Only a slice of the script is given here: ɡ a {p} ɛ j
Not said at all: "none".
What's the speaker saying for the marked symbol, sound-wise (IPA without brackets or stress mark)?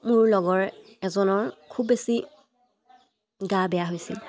b